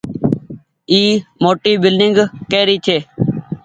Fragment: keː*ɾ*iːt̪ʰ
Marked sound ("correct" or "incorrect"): correct